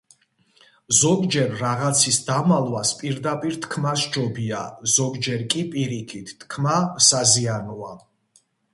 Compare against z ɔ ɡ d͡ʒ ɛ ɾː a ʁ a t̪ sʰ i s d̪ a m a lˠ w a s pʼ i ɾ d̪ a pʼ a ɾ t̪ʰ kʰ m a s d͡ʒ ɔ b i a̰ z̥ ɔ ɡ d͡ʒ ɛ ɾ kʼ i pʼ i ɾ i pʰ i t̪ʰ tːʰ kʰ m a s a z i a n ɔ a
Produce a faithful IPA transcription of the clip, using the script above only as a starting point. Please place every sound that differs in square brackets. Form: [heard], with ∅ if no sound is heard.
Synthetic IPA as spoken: z ɔ ɡ d͡ʒ ɛ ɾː a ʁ a t̪ sʰ i s d̪ a m a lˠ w a s pʼ i ɾ d̪ a pʼ [i] ɾ t̪ʰ kʰ m a s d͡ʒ ɔ b i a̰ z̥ ɔ ɡ d͡ʒ ɛ ɾ kʼ i pʼ i ɾ i [kʰ] i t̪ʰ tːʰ kʰ m a s a z i a n ɔ a

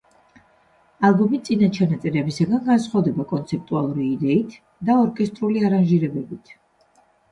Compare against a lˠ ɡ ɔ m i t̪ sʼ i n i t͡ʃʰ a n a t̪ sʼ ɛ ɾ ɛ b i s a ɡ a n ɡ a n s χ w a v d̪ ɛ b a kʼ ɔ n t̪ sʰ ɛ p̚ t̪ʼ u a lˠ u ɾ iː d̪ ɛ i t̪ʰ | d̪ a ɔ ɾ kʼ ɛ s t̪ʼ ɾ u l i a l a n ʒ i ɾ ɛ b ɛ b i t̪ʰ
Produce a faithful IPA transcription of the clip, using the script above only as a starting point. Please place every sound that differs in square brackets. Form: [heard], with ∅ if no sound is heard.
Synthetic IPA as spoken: a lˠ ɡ ɔ m i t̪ sʼ i n [a] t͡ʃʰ a n a t̪ sʼ ɛ ɾ ɛ b i s a ɡ a n ɡ a n s χ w a v d̪ ɛ b a kʼ ɔ n t̪ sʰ ɛ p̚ t̪ʼ u a lˠ u ɾ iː d̪ ɛ i t̪ʰ | d̪ a ɔ ɾ kʼ ɛ s t̪ʼ ɾ u l i a [ɾ] a n ʒ i ɾ ɛ b ɛ b i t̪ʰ

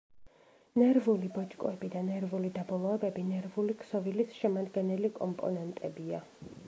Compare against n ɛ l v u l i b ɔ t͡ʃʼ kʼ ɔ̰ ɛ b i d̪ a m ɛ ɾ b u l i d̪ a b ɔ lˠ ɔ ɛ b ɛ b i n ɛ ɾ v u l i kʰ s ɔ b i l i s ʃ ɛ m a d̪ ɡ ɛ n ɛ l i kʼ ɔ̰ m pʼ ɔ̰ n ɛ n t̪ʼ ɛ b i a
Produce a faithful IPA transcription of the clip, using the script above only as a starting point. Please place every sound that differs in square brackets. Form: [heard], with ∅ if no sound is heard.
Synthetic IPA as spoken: n ɛ [ɾ] v u l i b ɔ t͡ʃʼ kʼ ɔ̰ ɛ b i d̪ a [n] ɛ ɾ [v] u l i d̪ a b ɔ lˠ ɔ ɛ b ɛ b i n ɛ ɾ v u l i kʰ s ɔ [v] i l i s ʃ ɛ m a d̪ ɡ ɛ n ɛ l i kʼ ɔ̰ m pʼ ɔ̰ n ɛ n t̪ʼ ɛ b i a

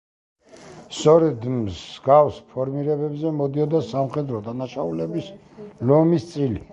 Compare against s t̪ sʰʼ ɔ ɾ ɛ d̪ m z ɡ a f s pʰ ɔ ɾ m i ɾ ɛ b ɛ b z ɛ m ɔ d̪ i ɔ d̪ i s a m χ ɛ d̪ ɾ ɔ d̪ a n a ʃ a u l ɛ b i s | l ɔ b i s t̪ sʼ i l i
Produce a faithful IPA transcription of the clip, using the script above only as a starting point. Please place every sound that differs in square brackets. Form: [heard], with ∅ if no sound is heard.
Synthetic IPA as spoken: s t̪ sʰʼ ɔ ɾ ɛ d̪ m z ɡ a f s pʰ ɔ ɾ m i ɾ ɛ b ɛ b z ɛ m ɔ d̪ i ɔ d̪ [a] s a m χ ɛ d̪ ɾ ɔ d̪ a n a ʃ a u l ɛ b i s | l ɔ [m] i s t̪ sʼ i l i

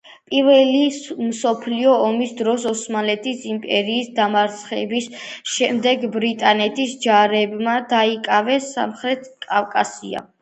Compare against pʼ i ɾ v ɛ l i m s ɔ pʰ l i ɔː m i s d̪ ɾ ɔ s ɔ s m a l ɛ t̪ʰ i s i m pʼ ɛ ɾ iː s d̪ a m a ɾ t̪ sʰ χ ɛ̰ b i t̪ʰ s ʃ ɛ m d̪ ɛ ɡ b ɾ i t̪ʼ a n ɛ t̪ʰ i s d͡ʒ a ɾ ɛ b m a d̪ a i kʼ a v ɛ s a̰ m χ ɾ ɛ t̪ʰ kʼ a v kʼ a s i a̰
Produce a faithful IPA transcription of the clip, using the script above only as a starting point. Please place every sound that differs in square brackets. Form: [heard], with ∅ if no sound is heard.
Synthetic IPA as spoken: pʼ i ɾ v ɛ l i m s ɔ pʰ l i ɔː m i s d̪ ɾ ɔ s ɔ s m a l ɛ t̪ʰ i s i m pʼ ɛ ɾ iː s d̪ a m a ɾ t̪ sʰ χ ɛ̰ b i [∅] s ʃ ɛ m d̪ ɛ ɡ b ɾ i t̪ʼ a n ɛ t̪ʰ i s d͡ʒ a ɾ ɛ b m a d̪ a i kʼ a v ɛ s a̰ m χ ɾ ɛ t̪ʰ kʼ a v kʼ a s i a̰

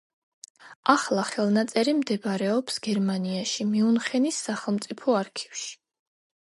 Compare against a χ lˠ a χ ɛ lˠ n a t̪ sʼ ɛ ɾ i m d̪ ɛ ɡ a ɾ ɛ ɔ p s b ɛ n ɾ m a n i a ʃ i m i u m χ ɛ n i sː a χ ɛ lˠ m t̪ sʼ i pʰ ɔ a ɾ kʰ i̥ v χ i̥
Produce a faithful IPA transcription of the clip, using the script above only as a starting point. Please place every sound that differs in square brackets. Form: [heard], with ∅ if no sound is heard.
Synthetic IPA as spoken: a χ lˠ a χ ɛ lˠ n a t̪ sʼ ɛ ɾ i m d̪ ɛ [b] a ɾ ɛ ɔ p s [ɡ] ɛ [∅] ɾ m a n i a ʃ i m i u [n] χ ɛ n i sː a χ ɛ lˠ m t̪ sʼ i pʰ ɔ a ɾ kʰ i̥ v [ʃ] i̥

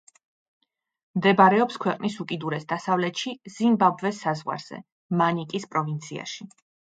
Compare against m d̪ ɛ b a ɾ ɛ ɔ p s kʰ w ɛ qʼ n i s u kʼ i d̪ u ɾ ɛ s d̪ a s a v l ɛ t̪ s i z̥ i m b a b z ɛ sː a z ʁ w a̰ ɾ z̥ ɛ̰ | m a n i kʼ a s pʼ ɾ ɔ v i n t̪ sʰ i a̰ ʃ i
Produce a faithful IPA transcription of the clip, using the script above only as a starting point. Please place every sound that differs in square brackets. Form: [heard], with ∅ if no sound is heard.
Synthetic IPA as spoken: m d̪ ɛ b a ɾ ɛ ɔ p s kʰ w ɛ qʼ n i s u kʼ i d̪ u ɾ ɛ s d̪ a s a v l ɛ t̪ [ʃ] i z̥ i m b a b [v] ɛ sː a z ʁ w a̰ ɾ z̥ ɛ̰ | m a n i kʼ [i] s pʼ ɾ ɔ v i n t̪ sʰ i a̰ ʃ i

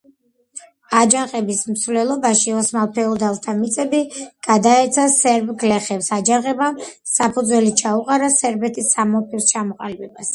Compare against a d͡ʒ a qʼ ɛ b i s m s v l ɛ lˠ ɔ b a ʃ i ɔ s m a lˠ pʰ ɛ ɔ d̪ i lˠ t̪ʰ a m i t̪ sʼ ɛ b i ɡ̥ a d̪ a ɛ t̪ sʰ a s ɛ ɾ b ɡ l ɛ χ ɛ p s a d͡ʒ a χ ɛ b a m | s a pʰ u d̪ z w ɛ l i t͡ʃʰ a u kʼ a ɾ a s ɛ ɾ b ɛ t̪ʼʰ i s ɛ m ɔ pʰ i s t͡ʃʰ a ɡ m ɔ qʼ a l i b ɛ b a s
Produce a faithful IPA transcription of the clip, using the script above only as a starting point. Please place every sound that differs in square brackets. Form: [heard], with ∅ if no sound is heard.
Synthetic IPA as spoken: a d͡ʒ a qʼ ɛ b i s m s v l ɛ lˠ ɔ b a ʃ i ɔ s m a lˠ pʰ ɛ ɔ d̪ [a] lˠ t̪ʰ a m i t̪ sʼ ɛ b i ɡ̥ a d̪ a ɛ t̪ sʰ a s ɛ ɾ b ɡ l ɛ χ ɛ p s a d͡ʒ a [ʁ] ɛ b a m | s a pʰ u d̪ z w ɛ l i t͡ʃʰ a u [qʼ] a ɾ a s ɛ ɾ b ɛ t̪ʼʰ i s [a] m ɔ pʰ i s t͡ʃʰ a [∅] m ɔ qʼ a l i b ɛ b a s

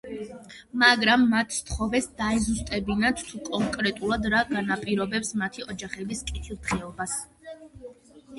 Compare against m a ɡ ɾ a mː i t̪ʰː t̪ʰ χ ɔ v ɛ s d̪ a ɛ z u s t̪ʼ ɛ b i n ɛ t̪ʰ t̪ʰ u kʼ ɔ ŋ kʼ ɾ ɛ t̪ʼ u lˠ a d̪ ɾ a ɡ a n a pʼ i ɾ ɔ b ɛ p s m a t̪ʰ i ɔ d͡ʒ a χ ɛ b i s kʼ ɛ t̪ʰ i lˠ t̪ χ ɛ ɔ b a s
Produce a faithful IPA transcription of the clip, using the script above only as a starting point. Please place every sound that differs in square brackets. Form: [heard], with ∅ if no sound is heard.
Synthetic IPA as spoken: m a ɡ ɾ a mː [a] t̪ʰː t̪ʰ χ ɔ v ɛ s d̪ a ɛ z u s t̪ʼ ɛ b i n [a] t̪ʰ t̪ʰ u kʼ ɔ ŋ kʼ ɾ ɛ t̪ʼ u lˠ a d̪ ɾ a ɡ a n a pʼ i ɾ ɔ b ɛ p s m a t̪ʰ i ɔ d͡ʒ a χ ɛ b i s kʼ [i] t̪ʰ i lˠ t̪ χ ɛ ɔ b a s

